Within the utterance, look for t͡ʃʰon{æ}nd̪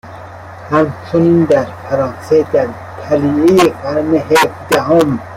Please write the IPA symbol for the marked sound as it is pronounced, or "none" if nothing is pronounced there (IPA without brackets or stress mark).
i